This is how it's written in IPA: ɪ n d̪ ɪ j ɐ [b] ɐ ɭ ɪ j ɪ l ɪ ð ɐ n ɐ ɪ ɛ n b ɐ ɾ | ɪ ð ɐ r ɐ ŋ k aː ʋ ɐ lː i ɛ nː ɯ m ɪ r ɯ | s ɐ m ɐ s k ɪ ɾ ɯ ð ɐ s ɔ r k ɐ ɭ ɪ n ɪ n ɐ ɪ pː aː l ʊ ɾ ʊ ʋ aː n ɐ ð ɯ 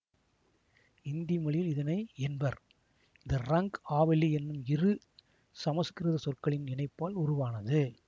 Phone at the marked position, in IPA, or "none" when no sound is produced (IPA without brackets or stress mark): m